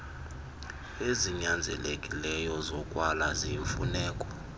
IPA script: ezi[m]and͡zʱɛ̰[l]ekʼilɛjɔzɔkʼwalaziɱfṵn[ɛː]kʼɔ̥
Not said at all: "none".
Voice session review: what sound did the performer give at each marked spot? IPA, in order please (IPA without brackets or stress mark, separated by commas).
ɲ, l, ɛː